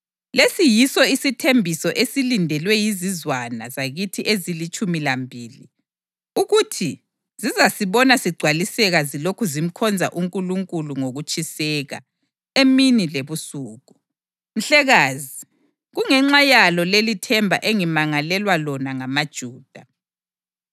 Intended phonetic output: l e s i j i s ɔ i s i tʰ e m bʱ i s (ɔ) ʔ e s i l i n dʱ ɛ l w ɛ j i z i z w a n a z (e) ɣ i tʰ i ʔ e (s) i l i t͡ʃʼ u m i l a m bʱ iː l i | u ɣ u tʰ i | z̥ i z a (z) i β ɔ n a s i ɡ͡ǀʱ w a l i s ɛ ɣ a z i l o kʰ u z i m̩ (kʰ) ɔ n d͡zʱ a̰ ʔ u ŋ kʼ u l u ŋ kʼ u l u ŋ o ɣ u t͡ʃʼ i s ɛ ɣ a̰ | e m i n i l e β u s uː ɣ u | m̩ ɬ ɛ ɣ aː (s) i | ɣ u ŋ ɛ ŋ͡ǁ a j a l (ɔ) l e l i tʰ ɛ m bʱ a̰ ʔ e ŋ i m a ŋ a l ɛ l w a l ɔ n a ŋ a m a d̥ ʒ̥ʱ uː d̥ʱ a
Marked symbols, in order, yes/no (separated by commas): yes, no, no, no, yes, no, yes